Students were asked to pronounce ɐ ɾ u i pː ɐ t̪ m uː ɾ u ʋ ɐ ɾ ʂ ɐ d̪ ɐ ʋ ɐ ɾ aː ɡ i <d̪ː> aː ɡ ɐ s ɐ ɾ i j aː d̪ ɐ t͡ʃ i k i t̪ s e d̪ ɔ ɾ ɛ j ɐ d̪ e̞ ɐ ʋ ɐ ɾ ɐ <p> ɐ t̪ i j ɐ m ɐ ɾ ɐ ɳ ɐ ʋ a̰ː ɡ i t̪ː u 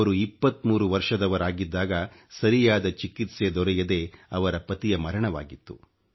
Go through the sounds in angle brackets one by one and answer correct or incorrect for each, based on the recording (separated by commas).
correct, correct